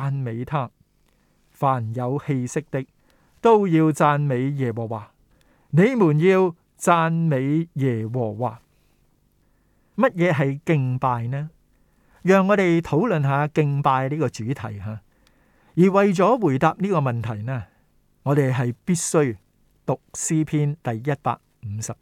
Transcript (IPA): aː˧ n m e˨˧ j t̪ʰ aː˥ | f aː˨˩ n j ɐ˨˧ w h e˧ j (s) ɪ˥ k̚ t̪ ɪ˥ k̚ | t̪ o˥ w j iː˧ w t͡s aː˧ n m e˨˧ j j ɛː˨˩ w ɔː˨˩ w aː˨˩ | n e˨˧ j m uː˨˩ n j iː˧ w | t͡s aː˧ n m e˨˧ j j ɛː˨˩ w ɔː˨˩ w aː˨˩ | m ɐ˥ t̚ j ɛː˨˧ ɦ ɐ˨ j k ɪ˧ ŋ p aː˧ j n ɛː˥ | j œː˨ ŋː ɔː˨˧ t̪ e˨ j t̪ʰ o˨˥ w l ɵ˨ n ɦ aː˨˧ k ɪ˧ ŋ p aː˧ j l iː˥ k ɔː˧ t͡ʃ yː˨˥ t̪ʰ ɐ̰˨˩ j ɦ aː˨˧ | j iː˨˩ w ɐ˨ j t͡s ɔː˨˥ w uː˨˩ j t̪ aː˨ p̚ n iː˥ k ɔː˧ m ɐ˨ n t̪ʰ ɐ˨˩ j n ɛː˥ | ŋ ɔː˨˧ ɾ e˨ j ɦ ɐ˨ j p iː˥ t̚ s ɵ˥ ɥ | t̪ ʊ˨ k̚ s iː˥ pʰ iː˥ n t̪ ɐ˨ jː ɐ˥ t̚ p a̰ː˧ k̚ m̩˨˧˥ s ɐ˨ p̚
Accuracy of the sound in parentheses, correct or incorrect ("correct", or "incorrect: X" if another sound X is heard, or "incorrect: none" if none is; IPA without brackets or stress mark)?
correct